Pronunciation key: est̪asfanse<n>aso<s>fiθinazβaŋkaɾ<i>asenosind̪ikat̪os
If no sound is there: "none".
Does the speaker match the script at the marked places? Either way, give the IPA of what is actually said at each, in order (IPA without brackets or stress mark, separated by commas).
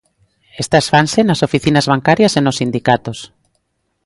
n, none, j